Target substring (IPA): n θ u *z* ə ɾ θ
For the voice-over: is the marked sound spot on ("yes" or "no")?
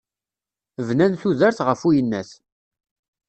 no